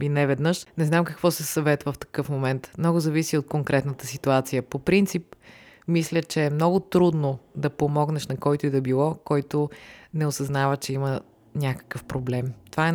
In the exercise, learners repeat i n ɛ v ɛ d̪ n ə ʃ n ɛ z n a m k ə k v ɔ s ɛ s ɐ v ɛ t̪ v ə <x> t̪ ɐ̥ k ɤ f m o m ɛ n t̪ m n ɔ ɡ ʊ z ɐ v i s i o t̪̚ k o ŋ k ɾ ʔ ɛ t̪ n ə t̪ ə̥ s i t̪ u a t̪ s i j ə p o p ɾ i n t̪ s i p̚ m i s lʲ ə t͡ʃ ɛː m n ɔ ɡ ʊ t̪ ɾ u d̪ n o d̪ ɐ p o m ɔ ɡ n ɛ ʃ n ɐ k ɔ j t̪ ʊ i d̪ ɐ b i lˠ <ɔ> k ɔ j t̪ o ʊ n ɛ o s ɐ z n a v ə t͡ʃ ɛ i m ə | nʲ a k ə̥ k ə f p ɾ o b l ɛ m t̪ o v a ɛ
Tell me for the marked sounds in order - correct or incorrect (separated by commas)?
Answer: incorrect, correct